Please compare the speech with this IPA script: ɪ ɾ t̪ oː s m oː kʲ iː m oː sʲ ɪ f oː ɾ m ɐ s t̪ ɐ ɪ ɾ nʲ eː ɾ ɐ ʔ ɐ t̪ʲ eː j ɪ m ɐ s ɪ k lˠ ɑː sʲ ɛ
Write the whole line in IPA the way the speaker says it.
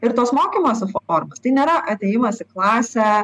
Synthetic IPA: ɪ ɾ t̪ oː s m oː kʲ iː m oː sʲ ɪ f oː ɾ m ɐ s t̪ ɐ ɪ nʲ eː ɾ ɐ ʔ ɐ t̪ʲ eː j ɪ m ɐ s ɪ k lˠ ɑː sʲ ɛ